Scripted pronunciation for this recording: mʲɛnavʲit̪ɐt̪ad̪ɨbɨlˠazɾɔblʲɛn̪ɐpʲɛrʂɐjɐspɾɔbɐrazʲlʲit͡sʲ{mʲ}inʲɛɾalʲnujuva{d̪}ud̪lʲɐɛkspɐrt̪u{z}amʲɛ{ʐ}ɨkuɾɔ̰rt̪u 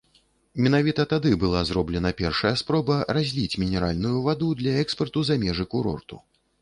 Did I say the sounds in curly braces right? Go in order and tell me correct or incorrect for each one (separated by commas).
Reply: correct, correct, correct, correct